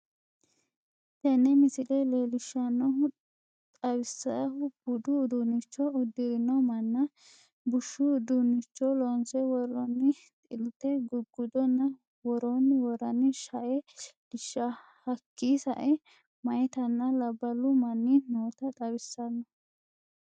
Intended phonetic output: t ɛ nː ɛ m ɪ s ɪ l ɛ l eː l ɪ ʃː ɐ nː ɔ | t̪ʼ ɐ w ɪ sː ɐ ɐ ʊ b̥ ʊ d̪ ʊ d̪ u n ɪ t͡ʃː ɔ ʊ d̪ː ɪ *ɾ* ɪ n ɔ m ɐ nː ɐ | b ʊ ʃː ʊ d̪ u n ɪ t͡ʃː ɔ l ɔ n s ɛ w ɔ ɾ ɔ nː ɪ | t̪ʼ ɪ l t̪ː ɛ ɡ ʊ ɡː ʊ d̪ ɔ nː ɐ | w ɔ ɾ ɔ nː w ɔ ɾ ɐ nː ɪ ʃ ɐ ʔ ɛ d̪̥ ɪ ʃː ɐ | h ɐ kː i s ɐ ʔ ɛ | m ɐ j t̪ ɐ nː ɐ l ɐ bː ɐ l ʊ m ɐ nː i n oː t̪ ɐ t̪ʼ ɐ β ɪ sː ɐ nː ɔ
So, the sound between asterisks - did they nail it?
yes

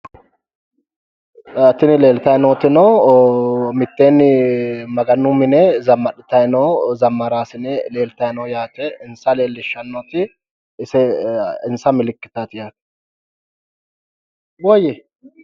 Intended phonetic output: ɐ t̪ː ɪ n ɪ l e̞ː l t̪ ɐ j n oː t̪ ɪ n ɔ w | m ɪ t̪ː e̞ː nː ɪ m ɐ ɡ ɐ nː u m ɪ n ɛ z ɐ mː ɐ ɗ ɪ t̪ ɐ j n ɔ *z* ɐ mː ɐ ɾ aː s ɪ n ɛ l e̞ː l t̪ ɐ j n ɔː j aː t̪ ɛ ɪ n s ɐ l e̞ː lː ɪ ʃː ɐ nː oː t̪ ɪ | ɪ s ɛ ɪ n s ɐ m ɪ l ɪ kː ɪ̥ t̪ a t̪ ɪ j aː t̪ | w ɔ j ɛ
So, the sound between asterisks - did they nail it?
yes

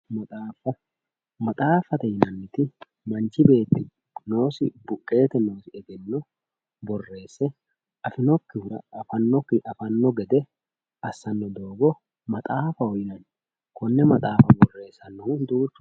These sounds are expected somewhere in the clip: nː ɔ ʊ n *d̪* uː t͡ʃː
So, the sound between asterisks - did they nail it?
yes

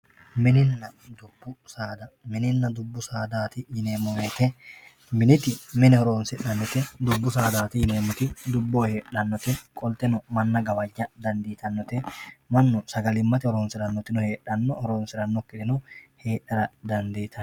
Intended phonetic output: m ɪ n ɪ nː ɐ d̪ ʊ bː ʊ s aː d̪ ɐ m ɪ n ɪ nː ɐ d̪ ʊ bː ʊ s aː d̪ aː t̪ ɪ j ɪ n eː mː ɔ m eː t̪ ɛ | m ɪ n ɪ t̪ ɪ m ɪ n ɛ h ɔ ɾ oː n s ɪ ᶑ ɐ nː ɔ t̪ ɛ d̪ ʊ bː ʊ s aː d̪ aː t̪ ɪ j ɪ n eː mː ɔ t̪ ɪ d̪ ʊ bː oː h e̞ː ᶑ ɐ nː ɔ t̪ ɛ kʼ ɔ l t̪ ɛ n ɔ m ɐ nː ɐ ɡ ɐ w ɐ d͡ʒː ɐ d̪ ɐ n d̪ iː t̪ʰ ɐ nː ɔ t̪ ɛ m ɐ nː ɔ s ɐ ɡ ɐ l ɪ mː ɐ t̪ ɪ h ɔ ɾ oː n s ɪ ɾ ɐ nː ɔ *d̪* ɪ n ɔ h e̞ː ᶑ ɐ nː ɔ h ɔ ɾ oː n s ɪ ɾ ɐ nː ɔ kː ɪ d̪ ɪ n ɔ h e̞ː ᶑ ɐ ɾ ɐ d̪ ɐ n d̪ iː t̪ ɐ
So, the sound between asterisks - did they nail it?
no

